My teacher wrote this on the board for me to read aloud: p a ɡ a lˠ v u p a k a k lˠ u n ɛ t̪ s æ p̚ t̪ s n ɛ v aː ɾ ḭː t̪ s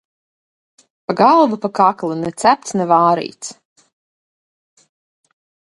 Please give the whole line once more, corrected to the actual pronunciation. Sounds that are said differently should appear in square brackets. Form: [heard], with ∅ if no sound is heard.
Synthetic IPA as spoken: p a ɡ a lˠ v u p a k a k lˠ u n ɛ t̪ s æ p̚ t̪ s n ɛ v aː ɾ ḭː t̪ s